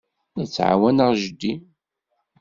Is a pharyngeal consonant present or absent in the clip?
present